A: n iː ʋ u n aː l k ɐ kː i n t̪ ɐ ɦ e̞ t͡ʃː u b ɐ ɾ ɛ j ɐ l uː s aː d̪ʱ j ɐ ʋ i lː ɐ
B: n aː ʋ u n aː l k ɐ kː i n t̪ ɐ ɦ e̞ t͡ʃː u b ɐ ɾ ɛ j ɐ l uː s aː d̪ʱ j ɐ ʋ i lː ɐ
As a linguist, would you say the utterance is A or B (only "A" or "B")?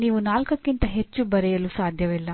A